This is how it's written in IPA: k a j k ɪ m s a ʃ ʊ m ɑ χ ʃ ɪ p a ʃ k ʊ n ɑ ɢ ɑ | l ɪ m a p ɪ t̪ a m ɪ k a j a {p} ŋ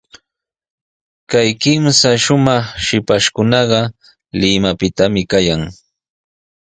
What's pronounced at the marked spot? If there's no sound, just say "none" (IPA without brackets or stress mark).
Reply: none